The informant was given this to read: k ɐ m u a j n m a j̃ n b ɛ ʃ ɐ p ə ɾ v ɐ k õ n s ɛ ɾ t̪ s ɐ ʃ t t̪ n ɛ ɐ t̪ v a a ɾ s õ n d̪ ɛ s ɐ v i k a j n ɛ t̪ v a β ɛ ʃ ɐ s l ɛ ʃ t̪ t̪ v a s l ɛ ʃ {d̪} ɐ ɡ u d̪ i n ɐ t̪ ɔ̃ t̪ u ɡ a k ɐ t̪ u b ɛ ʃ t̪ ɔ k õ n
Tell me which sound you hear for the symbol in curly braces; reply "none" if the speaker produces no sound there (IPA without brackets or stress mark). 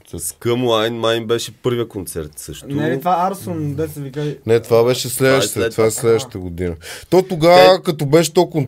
t̪